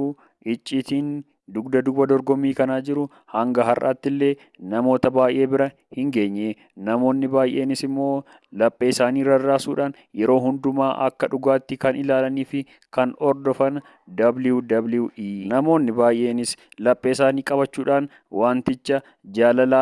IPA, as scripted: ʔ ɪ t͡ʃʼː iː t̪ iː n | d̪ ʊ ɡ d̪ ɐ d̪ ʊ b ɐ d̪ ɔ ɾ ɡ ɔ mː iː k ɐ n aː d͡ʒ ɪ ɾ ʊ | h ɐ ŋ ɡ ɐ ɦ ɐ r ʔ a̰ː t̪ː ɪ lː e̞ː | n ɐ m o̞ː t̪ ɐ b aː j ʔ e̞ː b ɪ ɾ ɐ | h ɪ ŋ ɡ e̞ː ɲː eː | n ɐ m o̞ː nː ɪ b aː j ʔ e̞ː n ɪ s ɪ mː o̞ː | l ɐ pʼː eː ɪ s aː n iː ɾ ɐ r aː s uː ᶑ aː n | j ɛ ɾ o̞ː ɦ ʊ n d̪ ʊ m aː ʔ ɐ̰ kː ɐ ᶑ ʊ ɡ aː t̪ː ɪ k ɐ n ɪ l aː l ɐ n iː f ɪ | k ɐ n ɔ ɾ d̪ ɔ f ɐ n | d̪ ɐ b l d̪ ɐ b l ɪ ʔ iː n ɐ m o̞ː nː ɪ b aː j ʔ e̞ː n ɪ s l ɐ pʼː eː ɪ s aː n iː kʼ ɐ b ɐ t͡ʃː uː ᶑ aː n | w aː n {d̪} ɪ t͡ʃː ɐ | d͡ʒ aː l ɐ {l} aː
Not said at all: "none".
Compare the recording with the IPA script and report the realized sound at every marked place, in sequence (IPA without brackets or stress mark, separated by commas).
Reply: t̪, l